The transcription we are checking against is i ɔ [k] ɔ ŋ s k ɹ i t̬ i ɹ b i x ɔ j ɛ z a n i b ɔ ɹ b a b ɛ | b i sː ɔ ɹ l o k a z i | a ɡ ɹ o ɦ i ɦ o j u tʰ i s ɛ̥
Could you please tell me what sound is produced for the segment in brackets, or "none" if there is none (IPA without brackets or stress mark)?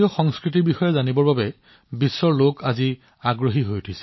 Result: x